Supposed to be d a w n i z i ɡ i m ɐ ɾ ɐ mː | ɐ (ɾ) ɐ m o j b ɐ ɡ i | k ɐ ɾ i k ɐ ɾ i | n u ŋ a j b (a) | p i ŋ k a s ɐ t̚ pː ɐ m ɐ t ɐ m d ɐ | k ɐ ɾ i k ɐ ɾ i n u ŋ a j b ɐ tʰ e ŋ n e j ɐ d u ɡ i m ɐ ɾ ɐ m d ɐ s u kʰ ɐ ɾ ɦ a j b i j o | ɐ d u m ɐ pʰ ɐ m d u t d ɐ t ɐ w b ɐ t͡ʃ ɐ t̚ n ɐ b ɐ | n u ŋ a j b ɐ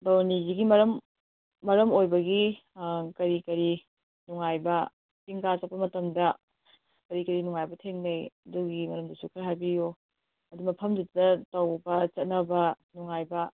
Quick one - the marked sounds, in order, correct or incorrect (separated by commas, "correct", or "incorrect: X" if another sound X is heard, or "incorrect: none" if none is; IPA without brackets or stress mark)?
correct, incorrect: ɐ